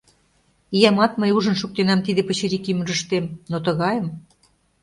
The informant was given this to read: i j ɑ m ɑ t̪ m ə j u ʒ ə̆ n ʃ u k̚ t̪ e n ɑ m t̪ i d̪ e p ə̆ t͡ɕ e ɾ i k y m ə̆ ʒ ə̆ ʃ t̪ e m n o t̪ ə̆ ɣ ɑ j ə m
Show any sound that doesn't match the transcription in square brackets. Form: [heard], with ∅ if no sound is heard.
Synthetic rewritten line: i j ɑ m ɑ t̪ m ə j u ʒ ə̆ n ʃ u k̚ t̪ e n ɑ m t̪ i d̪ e p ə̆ t͡ɕ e ɾ i k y m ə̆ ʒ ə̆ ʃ t̪ e m n o t̪ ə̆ ɣ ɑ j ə m